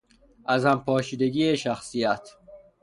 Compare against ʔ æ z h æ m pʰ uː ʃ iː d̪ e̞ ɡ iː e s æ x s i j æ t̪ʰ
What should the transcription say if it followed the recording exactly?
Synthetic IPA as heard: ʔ æ z h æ m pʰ ɒː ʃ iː d̪ e̞ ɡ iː e ʃ æ x s i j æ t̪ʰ